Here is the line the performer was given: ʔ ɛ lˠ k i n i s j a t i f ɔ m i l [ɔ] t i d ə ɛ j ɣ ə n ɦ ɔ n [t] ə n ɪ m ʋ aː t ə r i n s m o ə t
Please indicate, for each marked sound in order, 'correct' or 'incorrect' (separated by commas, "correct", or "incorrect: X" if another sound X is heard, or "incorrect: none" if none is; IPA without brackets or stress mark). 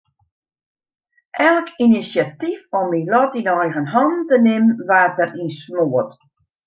correct, correct